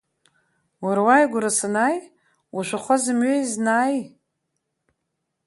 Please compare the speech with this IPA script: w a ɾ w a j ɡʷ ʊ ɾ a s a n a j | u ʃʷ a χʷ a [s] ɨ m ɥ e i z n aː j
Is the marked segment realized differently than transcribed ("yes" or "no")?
yes